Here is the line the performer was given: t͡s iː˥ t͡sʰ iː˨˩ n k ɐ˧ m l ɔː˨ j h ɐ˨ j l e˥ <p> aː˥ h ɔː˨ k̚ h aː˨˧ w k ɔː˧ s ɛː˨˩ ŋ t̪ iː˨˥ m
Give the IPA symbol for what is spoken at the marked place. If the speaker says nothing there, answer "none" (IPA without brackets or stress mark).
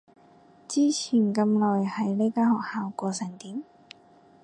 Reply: k